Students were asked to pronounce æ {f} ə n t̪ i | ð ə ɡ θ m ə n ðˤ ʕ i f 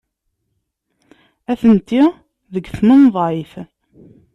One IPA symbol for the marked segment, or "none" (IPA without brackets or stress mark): θ